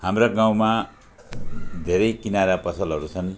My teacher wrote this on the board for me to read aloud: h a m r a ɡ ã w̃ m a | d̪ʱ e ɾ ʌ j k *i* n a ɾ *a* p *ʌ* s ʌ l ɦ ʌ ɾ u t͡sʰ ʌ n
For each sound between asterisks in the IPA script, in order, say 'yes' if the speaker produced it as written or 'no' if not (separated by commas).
yes, yes, yes